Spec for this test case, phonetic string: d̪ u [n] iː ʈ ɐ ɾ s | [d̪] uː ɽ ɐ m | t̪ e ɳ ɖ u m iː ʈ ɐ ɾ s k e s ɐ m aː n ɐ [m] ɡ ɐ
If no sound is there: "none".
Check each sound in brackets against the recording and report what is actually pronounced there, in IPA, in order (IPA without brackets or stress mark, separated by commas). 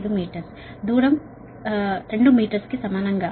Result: m, d̪, ŋ